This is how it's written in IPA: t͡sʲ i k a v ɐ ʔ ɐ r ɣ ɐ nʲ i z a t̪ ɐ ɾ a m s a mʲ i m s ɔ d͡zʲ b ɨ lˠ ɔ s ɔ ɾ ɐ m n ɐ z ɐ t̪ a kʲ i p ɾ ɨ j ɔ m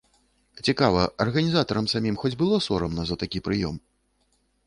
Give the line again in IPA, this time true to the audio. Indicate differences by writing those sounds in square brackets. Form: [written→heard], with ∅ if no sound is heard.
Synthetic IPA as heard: t͡sʲ i k a v ɐ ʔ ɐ r ɣ ɐ nʲ i z a t̪ ɐ ɾ [a→ɐ] m s a mʲ i m [s→x] ɔ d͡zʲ b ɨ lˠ ɔ s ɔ ɾ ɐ m n ɐ z ɐ t̪ a kʲ i p ɾ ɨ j ɔ m